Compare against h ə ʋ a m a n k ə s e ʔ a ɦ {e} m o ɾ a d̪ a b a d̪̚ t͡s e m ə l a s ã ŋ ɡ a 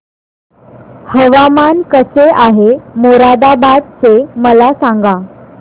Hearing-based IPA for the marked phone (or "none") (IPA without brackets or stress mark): e